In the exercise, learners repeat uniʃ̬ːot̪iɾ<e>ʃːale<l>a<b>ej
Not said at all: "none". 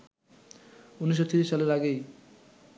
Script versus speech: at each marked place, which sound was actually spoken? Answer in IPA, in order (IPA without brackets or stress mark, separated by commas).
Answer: i, ɾ, ɡ